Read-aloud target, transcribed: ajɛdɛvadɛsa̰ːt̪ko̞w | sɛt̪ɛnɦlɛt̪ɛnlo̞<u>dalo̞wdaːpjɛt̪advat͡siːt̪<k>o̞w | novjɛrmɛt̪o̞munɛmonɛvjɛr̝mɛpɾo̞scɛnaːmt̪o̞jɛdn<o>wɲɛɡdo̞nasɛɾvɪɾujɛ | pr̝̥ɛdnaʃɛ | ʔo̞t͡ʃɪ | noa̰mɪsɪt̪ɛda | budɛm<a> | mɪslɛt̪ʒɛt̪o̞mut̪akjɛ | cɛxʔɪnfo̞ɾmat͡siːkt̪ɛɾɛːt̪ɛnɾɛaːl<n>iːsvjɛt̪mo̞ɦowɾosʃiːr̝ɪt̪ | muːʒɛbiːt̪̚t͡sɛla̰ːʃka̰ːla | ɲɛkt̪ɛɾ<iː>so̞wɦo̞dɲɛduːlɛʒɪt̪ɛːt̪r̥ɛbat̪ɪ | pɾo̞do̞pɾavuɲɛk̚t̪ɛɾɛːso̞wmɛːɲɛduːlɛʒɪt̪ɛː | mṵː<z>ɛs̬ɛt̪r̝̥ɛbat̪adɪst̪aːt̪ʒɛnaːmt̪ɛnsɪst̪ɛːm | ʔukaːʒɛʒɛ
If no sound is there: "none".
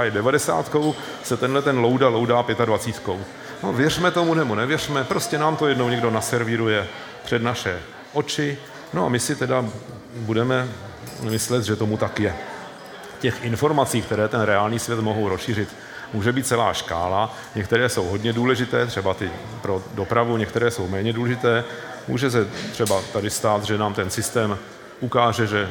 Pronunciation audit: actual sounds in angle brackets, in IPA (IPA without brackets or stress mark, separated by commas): w, k, o, ɛ, ɲ, ɛː, ʒ